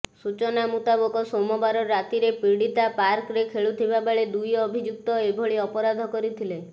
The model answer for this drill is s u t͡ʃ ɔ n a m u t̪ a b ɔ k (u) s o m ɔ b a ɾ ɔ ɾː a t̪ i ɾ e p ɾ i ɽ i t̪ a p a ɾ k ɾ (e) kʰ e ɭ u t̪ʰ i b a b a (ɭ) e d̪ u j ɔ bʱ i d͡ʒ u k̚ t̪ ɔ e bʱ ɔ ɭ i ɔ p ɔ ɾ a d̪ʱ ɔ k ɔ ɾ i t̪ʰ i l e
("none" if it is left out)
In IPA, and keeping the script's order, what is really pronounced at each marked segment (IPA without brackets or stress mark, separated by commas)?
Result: ɔ, e, ɭ